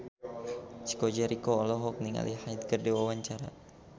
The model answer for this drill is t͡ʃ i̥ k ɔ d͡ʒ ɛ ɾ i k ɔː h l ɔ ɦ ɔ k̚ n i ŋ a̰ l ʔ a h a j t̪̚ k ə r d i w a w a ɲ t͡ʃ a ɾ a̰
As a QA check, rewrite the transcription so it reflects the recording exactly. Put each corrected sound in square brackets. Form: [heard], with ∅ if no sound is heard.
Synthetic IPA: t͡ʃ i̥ k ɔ d͡ʒ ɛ ɾ i k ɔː [∅] l ɔ ɦ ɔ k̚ n i ŋ a̰ l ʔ [i] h a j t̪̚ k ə r d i w a w a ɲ t͡ʃ a ɾ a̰